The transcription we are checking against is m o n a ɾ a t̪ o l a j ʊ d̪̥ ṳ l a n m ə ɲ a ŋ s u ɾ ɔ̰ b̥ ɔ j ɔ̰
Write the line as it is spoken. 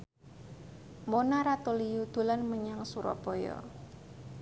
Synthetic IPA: m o n a ɾ a t̪ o l i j u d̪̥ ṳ l a n m ə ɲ a ŋ s u ɾ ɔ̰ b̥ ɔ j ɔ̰